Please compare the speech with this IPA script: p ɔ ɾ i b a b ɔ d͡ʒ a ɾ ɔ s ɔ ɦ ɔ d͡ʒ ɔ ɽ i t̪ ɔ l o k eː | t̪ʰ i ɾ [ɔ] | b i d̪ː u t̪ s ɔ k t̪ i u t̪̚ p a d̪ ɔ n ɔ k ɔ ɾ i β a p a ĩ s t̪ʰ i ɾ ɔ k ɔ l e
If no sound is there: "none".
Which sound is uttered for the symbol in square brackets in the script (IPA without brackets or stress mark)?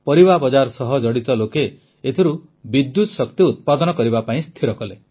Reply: u